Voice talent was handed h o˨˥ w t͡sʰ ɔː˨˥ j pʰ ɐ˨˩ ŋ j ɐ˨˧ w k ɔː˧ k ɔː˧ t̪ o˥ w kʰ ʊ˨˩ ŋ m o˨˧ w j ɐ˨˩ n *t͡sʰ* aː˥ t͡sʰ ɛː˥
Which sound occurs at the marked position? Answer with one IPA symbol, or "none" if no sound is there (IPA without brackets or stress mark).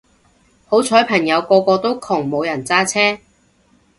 t͡s